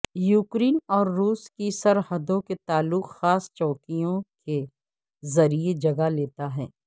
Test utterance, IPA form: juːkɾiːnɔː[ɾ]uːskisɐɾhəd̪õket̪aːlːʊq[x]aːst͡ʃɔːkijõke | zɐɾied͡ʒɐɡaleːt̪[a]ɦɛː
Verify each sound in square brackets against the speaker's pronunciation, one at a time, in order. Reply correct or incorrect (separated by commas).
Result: incorrect, correct, correct